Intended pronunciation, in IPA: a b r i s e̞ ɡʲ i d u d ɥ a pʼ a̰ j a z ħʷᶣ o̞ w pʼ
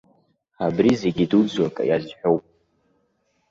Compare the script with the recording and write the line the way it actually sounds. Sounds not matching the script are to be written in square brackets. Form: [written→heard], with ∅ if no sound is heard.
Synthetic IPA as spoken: a b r i [s→z] e̞ ɡʲ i d u [d→d͡z] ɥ a [pʼ→kʼ] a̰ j a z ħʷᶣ o̞ w pʼ